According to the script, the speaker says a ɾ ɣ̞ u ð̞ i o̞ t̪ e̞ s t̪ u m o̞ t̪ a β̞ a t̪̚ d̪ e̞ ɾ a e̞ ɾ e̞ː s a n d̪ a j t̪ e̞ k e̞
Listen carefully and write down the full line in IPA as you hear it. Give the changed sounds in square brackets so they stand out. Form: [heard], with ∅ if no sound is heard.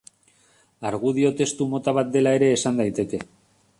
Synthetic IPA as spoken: a ɾ ɣ̞ u ð̞ i o̞ t̪ e̞ s t̪ u m o̞ t̪ a β̞ a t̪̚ d̪ e̞ [l] a e̞ ɾ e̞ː s a n d̪ a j t̪ e̞ k e̞